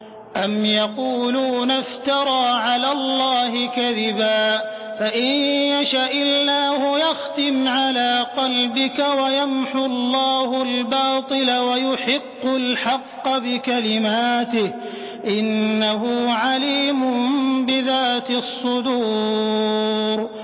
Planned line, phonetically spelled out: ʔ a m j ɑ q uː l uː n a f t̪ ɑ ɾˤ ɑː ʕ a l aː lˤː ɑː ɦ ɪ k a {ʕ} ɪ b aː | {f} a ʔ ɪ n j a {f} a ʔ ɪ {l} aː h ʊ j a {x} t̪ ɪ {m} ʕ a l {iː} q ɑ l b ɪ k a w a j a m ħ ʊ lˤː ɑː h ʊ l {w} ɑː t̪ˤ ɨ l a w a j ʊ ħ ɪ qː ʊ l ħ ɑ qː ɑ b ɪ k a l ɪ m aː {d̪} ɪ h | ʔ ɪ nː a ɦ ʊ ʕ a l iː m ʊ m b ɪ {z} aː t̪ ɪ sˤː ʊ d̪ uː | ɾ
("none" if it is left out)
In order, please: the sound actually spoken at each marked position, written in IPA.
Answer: ð, f, ʃ, lː, x, m, aː, b, t̪, ð

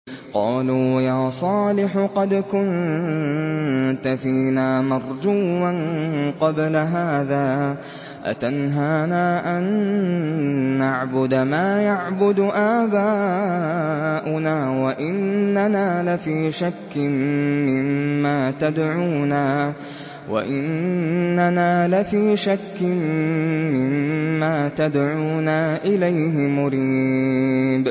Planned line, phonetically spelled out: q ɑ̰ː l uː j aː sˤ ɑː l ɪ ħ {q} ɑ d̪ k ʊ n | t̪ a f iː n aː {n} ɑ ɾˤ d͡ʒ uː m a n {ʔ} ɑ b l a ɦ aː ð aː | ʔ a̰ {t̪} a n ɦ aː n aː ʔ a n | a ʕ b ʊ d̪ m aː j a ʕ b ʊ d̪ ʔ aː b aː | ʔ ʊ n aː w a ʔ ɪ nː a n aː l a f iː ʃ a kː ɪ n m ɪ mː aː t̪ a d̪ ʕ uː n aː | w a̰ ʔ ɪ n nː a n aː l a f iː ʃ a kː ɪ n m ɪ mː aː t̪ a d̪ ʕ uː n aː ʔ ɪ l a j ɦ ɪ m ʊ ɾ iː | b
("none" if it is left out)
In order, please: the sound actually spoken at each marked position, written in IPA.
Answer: q, m, q, t̪

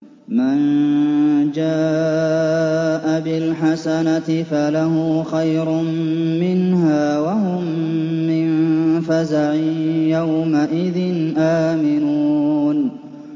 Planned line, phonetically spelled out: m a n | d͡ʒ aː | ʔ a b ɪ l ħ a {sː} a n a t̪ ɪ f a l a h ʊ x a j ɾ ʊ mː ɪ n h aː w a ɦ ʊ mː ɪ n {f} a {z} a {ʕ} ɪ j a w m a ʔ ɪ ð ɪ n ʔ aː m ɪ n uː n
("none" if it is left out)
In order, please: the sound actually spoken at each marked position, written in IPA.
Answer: s, f, z, ʕ

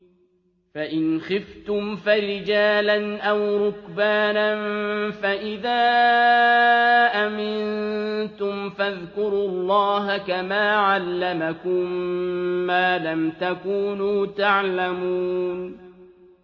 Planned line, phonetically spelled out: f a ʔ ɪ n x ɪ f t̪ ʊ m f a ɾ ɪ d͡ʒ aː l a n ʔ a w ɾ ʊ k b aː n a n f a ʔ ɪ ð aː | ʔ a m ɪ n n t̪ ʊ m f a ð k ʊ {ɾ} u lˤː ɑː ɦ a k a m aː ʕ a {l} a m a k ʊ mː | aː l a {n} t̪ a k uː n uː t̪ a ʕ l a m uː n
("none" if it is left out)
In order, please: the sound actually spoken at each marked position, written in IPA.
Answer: ɾ, lː, m

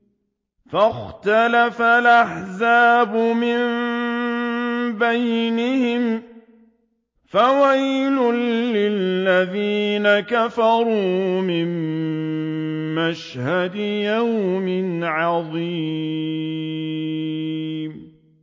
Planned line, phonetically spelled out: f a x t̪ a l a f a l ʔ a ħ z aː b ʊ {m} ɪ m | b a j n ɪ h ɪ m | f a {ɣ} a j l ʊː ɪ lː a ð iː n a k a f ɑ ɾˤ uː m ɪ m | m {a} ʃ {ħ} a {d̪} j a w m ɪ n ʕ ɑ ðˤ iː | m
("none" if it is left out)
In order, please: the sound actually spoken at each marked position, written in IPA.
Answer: m, w, a, h, d̪

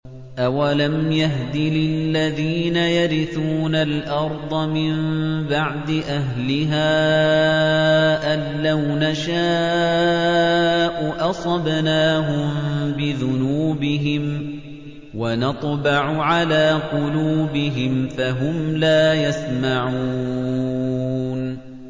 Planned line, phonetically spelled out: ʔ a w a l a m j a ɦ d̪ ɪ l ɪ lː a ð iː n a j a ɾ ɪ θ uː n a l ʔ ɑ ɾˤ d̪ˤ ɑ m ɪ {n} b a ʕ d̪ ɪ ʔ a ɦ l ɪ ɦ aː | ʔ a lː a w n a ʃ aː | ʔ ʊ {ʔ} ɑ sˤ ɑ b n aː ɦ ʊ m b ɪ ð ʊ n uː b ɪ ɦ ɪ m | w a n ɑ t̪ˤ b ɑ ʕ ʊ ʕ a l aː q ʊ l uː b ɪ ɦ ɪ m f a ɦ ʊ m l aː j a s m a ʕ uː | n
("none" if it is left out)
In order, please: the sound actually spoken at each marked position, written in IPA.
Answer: m, ʔ

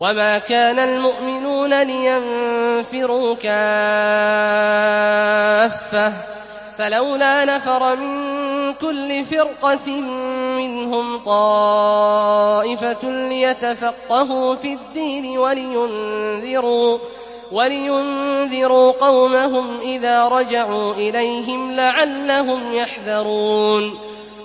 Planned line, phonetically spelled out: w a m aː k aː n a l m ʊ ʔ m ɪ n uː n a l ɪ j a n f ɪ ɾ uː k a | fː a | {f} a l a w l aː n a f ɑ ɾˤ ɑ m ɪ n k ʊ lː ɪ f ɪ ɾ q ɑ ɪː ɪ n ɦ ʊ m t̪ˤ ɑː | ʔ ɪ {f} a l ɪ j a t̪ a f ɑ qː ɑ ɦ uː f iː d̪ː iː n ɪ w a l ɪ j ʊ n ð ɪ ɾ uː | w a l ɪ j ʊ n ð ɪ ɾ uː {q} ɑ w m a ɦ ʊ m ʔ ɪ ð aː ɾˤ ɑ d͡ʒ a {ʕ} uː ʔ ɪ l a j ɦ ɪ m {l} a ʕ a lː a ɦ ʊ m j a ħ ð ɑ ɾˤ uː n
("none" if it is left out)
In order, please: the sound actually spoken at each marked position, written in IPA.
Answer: f, f, q, ʕ, l

